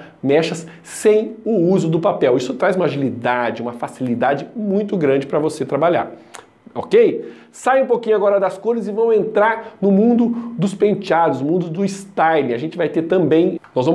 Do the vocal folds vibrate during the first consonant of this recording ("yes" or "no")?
yes